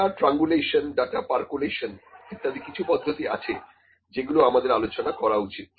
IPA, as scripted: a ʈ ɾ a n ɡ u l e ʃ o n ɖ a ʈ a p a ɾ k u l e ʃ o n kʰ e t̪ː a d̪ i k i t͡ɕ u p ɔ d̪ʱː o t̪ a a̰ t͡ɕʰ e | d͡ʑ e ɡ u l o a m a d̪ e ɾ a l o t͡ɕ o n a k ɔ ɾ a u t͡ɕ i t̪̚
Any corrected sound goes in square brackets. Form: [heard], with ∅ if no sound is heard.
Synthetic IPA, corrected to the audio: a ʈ ɾ a [ŋ] ɡ u l e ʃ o n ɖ a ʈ a p a ɾ k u l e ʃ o n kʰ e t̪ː a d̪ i k i [t͡ɕʰ] u p ɔ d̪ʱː o t̪ [i] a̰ t͡ɕʰ e | d͡ʑ e ɡ u l o a m a d̪ e ɾ a l o t͡ɕ o n a k ɔ ɾ a u t͡ɕ i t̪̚

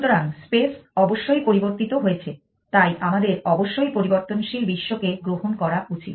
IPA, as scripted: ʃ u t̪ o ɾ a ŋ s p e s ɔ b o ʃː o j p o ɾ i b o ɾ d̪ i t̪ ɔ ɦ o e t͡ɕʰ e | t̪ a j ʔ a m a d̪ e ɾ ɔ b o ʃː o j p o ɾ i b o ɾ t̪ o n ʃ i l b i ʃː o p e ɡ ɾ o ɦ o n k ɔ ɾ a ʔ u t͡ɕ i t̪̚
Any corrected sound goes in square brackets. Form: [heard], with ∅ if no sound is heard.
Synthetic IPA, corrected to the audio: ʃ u t̪ o ɾ a ŋ s p e s ɔ b o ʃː o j p o ɾ i b o ɾ [t̪] i t̪ [o] ɦ o e t͡ɕʰ e | t̪ a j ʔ a m a d̪ e ɾ ɔ b o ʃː o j p o ɾ i b o ɾ t̪ o n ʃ i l b i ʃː o [k] e ɡ ɾ o ɦ o n k ɔ ɾ a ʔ u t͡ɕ i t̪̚

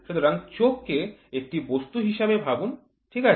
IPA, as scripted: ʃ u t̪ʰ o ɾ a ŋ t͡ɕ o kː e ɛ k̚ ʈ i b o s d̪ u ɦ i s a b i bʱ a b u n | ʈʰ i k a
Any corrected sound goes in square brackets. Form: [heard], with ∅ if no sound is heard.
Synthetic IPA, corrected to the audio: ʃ u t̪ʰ o ɾ a ŋ t͡ɕ o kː e [e] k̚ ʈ i b o s [t̪] u ɦ i [ʃ] a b [e] bʱ a b u n | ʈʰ i k a

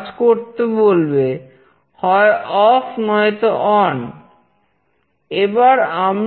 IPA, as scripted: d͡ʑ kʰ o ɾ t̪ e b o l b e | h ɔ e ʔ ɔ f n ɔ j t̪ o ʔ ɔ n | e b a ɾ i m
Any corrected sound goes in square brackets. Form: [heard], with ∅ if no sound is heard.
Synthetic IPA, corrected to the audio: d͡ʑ [k] o ɾ t̪ e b o l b e | h ɔ e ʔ ɔ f n ɔ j t̪ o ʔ ɔ n | e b a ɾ [a] m

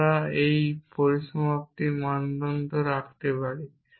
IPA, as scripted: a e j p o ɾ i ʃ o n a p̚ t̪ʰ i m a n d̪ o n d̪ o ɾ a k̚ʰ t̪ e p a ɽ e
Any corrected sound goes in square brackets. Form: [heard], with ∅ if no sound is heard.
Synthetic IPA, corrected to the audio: a e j p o ɾ i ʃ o [m] a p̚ [t̪] i m a n d̪ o n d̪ o ɾ a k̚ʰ t̪ e p a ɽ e

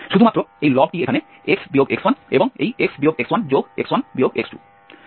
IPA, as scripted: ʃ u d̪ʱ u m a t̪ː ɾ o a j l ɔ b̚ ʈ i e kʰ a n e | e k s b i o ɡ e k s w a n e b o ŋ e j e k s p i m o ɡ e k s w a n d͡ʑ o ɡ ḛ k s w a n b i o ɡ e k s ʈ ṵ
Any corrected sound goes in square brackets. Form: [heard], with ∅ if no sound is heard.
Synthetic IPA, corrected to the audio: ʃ u d̪ʱ u m a t̪ː ɾ o [e] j l ɔ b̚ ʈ i e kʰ a n e | e k s b i o ɡ e k s w a n e b o ŋ e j e k s [b] i [∅] o ɡ e k s w a n d͡ʑ o ɡ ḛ k s w a n b i o ɡ e k s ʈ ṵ

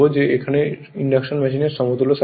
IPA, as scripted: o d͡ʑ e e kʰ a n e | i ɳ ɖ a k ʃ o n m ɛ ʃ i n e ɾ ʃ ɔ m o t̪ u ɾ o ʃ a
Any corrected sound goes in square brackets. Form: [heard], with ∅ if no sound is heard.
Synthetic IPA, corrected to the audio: o d͡ʑ e e kʰ a n e | i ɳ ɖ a k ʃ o n m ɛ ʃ i n e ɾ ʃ ɔ m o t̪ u [l] o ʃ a

